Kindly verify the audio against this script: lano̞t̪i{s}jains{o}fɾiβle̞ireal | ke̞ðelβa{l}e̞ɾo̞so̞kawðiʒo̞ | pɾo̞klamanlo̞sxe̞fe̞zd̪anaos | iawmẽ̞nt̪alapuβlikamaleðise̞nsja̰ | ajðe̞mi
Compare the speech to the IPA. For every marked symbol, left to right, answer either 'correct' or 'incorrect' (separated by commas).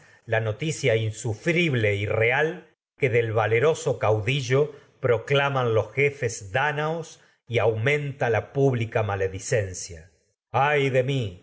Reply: correct, incorrect, correct